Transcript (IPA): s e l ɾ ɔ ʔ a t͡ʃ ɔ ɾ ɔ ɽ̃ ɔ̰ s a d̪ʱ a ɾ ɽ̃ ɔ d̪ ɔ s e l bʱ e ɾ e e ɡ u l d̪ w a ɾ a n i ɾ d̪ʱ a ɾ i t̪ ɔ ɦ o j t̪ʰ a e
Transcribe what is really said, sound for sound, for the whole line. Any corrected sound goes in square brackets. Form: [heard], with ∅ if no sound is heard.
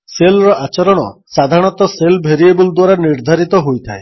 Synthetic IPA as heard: s e l ɾ ɔ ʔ a t͡ʃ ɔ ɾ ɔ ɽ̃ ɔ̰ s a d̪ʱ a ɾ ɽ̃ ɔ [t̪] ɔ s e l bʱ e ɾ [i] e [b] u l d̪ w a ɾ a n i ɾ d̪ʱ a ɾ i t̪ ɔ ɦ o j t̪ʰ a e